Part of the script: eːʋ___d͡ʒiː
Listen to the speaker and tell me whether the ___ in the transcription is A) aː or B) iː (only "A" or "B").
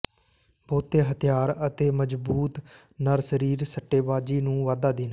A